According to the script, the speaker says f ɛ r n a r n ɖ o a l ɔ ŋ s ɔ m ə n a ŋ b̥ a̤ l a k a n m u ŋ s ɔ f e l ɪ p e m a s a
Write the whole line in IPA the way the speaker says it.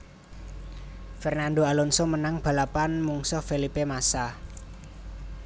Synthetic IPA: f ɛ r n a n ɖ o a l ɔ n s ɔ m ə n a ŋ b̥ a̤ l a p a n m u ŋ s ɔ f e l i p e m a s a